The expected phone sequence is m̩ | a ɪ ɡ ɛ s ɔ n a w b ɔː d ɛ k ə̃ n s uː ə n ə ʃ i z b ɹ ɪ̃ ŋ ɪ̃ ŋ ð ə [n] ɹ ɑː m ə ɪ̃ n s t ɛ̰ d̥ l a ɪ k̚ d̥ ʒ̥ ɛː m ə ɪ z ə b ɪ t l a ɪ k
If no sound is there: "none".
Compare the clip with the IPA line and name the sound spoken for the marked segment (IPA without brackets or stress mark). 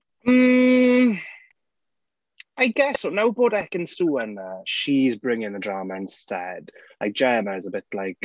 d